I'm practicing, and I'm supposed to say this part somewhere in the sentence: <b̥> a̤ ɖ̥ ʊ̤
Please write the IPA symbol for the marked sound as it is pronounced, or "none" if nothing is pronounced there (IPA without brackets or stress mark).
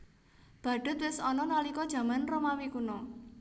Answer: b̥